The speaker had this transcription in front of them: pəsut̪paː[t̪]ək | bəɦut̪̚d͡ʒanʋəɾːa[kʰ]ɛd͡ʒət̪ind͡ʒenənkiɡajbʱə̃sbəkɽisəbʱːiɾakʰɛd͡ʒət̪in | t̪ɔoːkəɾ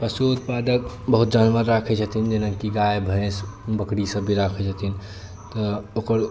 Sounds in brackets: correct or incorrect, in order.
incorrect: d̪, correct

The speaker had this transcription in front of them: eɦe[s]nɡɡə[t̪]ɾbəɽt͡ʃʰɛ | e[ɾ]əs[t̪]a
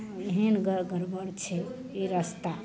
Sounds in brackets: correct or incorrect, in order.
incorrect: none, incorrect: none, correct, correct

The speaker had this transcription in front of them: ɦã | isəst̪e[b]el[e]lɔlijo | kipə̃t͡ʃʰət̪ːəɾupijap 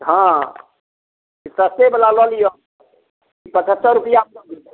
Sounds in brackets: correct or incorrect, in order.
correct, incorrect: a

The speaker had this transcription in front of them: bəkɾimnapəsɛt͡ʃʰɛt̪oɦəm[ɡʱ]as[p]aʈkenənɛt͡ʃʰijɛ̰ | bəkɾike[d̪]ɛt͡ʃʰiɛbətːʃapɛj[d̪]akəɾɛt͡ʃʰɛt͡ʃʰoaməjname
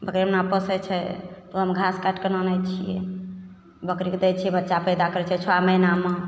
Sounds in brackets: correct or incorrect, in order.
correct, incorrect: k, correct, correct

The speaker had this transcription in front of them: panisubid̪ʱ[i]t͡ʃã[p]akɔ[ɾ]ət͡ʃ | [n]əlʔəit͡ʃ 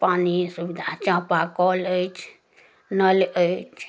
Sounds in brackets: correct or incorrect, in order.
incorrect: a, correct, incorrect: l, correct

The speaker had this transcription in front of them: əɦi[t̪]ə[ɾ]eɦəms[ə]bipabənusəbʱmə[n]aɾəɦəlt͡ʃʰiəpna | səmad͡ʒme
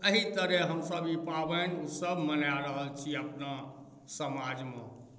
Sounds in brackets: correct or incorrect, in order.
correct, correct, correct, correct

